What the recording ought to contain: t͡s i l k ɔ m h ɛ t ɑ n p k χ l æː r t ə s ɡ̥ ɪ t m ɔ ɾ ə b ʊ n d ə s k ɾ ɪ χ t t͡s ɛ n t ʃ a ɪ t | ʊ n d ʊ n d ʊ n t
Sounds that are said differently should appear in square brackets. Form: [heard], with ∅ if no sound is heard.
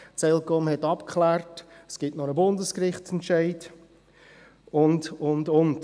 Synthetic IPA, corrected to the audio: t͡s [ɛ] l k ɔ m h ɛ t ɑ [∅] p k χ l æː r t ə s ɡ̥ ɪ t [n] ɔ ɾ ə b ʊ n d ə s k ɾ ɪ χ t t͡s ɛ n t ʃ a ɪ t | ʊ n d ʊ n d ʊ n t